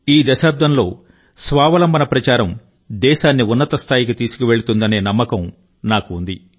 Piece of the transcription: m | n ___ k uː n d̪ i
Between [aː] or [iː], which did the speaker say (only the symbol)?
aː